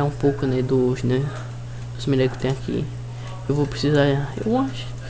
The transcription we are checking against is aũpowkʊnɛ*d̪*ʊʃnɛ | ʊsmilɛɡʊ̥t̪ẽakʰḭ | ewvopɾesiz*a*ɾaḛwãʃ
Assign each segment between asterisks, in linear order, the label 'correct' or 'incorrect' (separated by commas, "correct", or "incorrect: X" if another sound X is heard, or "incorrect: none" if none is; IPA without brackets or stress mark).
correct, correct